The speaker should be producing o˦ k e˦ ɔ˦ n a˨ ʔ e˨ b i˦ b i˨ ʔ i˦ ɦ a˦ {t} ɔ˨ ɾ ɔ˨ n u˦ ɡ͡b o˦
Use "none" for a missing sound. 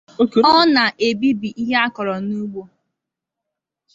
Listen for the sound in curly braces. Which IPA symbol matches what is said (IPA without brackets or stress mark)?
k